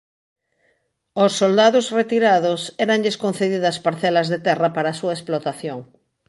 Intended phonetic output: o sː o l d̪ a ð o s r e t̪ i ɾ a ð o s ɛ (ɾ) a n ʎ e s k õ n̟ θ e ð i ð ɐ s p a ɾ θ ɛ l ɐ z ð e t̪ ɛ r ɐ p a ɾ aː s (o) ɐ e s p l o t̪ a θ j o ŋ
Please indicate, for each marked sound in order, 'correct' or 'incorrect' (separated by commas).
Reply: correct, incorrect